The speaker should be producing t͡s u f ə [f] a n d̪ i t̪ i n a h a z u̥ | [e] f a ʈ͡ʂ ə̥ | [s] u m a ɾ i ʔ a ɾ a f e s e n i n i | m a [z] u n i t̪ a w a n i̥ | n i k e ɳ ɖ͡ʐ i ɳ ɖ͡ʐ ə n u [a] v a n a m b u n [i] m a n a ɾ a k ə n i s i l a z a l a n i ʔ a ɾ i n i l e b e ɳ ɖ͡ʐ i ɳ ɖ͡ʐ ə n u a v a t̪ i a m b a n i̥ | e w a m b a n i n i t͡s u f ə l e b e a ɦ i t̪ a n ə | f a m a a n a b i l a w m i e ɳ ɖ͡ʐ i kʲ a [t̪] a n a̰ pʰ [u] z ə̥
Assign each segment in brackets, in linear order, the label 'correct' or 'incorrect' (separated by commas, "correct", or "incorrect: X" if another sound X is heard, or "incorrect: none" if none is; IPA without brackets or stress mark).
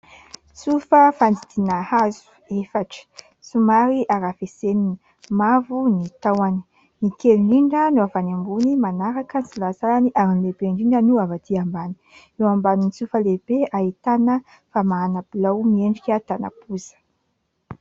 correct, correct, correct, incorrect: v, correct, correct, correct, correct